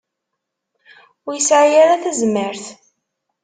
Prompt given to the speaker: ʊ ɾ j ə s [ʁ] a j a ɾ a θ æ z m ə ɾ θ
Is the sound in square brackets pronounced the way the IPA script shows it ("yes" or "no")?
no